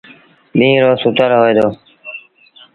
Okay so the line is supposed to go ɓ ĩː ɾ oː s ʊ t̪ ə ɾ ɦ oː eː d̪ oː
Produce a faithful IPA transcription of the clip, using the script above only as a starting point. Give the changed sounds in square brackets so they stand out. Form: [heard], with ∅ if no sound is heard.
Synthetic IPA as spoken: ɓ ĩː ɾ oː s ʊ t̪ ə ɾ ɦ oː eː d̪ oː